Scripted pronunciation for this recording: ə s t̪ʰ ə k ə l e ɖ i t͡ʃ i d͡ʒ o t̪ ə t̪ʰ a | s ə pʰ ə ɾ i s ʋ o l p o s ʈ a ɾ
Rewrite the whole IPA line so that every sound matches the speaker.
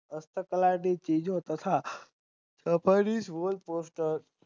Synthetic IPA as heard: ə s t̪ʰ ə k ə l a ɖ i t͡ʃ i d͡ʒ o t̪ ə t̪ʰ a | s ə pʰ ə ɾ i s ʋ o l p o s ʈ ə ɾ

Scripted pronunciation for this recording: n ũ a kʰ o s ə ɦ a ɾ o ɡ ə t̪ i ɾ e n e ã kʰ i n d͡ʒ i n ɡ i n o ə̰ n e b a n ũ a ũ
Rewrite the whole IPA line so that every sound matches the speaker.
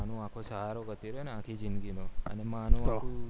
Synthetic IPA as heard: n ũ a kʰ o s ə ɦ a ɾ o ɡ ə t̪ i ɾ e n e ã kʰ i d͡ʒ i n ɡ i n o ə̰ n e m a n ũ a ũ

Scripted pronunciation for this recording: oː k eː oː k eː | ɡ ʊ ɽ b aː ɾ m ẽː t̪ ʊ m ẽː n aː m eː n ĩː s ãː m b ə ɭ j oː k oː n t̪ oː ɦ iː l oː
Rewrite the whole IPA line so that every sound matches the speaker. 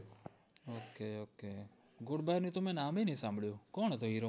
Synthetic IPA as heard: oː k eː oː k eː | ɡ ʊ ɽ b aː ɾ n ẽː t̪ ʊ m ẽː n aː m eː n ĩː s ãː m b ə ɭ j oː k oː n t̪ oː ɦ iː ɾ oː

